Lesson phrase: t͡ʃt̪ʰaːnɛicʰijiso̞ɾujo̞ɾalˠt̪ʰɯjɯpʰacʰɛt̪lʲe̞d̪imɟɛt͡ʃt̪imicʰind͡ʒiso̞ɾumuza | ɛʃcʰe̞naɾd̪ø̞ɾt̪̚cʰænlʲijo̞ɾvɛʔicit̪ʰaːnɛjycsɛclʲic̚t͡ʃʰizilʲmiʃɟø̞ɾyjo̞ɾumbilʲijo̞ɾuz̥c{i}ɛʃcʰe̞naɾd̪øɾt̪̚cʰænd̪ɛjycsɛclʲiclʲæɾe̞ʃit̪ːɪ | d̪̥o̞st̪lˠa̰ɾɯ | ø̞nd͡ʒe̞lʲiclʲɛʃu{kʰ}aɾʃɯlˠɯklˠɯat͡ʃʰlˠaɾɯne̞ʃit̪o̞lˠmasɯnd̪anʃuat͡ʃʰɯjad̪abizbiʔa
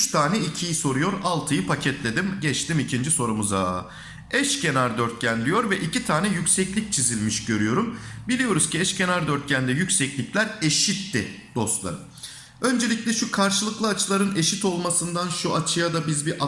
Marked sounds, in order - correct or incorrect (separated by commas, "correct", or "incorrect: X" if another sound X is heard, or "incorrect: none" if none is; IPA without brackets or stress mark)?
correct, correct